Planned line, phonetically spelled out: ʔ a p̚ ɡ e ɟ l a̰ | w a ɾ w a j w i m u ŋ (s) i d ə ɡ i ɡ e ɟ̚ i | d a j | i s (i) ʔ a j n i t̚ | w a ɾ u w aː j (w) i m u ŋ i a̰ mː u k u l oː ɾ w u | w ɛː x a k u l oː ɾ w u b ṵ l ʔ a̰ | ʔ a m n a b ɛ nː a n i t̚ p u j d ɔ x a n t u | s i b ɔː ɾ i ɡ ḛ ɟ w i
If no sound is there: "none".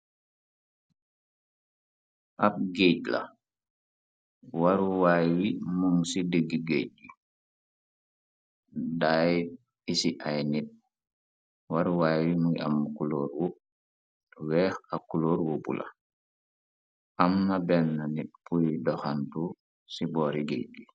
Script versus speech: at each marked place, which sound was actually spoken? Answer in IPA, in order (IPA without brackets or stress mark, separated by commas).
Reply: s, i, w